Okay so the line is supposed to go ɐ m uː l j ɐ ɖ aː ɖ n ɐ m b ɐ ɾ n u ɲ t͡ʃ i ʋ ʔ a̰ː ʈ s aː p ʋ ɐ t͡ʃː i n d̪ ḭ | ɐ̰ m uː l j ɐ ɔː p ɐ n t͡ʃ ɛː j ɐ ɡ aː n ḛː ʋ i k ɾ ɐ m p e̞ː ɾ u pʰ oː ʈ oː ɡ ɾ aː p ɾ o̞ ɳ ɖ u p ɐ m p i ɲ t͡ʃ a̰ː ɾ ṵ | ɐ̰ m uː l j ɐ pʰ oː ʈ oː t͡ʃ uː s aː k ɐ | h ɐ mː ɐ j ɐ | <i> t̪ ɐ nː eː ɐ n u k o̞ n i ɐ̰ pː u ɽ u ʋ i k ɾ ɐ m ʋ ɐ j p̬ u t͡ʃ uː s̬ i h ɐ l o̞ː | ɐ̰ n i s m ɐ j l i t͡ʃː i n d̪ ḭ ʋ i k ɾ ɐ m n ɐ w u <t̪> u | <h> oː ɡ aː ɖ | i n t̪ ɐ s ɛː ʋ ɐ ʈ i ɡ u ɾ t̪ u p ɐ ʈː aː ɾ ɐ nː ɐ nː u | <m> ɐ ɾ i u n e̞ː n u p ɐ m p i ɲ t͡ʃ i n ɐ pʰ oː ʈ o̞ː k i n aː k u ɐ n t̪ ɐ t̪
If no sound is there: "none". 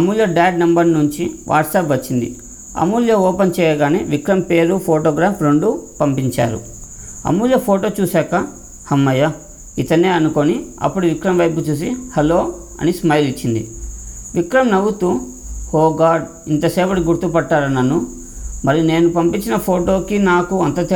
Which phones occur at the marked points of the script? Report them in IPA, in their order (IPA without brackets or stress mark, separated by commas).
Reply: i, t̪, h, m